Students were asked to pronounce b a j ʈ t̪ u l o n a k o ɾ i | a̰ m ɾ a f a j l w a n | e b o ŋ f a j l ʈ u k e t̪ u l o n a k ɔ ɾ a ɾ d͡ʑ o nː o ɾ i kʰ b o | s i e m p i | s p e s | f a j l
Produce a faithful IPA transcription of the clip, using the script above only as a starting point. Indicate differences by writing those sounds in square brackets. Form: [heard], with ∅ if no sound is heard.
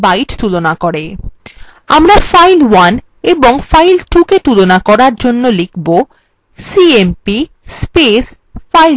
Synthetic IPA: b a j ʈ t̪ u l o n a k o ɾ [e] | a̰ m ɾ a f a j l w a n | e b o ŋ f a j l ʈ u k e t̪ u l o n a k ɔ ɾ a ɾ d͡ʑ o nː o [l] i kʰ b o | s i e m p i | s p e s | f a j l